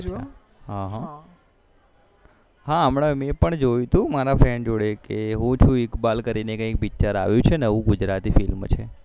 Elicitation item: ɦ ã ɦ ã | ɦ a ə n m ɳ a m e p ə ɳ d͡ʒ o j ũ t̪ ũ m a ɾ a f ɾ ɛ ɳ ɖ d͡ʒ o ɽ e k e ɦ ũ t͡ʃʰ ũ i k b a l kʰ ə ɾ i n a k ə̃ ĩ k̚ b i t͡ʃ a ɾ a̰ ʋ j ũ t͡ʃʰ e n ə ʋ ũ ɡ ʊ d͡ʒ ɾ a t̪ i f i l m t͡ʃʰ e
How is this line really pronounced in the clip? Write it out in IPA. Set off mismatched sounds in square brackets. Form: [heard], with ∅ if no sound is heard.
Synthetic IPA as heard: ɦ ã ɦ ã | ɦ a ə [∅] m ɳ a m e p ə ɳ d͡ʒ o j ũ t̪ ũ m a ɾ a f ɾ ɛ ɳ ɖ d͡ʒ o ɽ e k e ɦ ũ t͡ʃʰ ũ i k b a l [k] ə ɾ i n [e] k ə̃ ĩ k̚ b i t͡ʃ a ɾ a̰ ʋ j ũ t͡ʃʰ e n ə ʋ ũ ɡ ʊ d͡ʒ ɾ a t̪ i f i l m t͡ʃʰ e

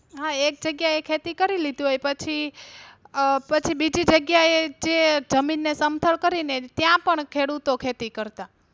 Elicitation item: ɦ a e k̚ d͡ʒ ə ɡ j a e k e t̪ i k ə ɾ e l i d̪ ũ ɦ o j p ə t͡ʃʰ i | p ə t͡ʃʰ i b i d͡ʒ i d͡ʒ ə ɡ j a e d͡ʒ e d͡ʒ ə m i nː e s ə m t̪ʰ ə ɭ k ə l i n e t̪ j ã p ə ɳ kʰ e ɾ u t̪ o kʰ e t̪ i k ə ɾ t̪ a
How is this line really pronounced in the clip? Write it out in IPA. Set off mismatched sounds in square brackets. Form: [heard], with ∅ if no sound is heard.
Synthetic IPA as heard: ɦ a e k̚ d͡ʒ ə ɡ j a e [kʰ] e t̪ i k ə ɾ [i] l i d̪ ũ ɦ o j p ə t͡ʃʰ i | p ə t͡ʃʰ i b i d͡ʒ i d͡ʒ ə ɡ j a e d͡ʒ e d͡ʒ ə m i nː e s ə m t̪ʰ ə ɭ k ə [ɾ] i n e t̪ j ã p ə ɳ kʰ e [ɽ] u t̪ o kʰ e t̪ i k ə ɾ t̪ a

